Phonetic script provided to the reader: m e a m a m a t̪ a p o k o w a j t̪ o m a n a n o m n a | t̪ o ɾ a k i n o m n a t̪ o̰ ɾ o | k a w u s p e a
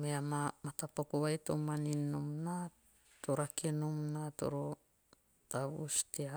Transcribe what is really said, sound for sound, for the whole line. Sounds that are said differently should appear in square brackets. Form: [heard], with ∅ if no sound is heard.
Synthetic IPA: m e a m a m a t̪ a p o k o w a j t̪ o m a n [i] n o m n a | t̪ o ɾ a k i n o m n a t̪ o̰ ɾ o | [t] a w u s [t] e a

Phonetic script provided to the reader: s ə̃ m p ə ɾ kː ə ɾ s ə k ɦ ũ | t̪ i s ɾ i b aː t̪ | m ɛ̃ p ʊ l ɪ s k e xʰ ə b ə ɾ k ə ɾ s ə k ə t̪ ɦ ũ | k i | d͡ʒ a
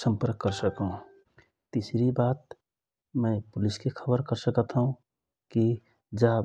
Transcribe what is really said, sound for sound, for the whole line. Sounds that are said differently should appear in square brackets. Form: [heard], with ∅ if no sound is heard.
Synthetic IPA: s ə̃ m p ə ɾ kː ə ɾ s ə k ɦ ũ | t̪ i s ɾ i b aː t̪ | m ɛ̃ p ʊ l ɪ s k e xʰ ə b ə ɾ k ə ɾ s ə k ə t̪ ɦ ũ | k i | d͡ʒ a

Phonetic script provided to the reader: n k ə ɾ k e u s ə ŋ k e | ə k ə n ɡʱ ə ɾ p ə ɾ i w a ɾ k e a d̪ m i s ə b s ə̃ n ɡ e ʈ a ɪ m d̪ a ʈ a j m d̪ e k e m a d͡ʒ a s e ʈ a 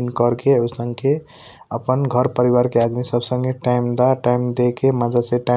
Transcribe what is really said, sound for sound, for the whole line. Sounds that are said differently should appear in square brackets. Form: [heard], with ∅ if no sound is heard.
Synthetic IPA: n k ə ɾ k e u s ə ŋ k e | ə [p] ə n ɡʱ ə ɾ p ə ɾ i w a ɾ k e a d̪ m i s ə b s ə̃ [ŋ] ɡ e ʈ a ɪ m d̪ a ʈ a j m d̪ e k e m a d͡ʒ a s e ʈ a

